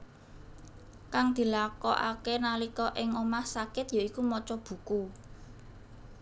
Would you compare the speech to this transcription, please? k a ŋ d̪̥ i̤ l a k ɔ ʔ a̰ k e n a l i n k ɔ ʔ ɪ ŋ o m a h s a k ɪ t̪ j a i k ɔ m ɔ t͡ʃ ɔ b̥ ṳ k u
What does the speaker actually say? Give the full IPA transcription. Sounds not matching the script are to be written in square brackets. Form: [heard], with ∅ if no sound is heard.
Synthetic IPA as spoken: k a ŋ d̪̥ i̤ l a k ɔ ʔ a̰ k e n a l i [∅] k ɔ ʔ ɪ ŋ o m a h s a k ɪ t̪ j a i k [u] m ɔ t͡ʃ ɔ b̥ ṳ k u